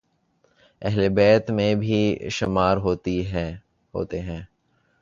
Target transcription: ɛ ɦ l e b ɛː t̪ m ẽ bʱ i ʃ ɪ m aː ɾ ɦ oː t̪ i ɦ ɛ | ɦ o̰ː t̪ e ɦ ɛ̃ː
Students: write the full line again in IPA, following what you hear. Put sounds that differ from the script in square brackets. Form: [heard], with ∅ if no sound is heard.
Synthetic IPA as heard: ɛ ɦ l e b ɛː t̪ m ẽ bʱ i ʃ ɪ m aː ɾ ɦ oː t̪ i ɦ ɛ | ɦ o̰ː t̪ e ɦ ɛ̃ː